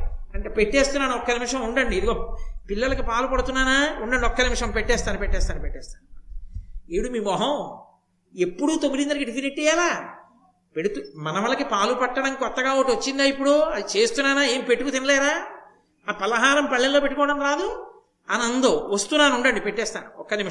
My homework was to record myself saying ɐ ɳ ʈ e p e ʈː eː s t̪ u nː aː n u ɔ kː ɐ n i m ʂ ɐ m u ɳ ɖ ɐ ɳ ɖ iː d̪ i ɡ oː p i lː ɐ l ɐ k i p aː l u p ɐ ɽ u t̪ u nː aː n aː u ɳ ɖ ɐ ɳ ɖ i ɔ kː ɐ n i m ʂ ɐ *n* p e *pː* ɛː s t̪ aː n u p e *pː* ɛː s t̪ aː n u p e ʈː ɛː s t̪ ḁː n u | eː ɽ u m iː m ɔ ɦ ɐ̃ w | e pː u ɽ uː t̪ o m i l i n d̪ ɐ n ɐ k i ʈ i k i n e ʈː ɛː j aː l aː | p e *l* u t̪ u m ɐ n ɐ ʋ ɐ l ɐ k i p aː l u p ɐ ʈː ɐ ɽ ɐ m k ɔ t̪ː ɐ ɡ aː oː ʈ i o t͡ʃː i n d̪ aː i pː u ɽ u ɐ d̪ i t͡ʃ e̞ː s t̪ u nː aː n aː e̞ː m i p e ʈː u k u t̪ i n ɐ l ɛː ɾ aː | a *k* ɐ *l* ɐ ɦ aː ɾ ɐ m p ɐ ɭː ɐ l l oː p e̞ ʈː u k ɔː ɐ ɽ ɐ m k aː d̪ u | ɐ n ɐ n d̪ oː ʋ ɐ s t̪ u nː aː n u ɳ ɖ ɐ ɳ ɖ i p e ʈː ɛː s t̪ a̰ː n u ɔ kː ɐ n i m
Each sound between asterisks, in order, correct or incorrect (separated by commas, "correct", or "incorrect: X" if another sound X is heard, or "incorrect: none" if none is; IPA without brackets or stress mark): incorrect: m, incorrect: ʈː, incorrect: ʈː, incorrect: ɽ, incorrect: p, correct